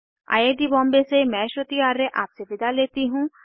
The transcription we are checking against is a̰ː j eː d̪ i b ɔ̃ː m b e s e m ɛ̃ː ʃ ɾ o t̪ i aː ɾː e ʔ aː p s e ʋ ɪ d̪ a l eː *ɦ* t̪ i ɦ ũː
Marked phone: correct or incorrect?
incorrect